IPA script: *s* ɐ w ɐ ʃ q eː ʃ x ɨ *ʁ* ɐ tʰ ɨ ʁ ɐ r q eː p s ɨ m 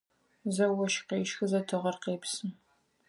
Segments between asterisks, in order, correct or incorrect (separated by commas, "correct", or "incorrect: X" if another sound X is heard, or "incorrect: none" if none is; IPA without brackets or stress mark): incorrect: z, incorrect: z